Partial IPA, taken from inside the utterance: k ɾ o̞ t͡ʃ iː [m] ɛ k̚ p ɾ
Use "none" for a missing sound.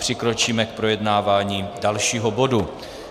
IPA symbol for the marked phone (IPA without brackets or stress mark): m